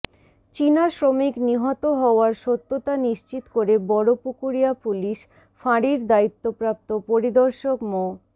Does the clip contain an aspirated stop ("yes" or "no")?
no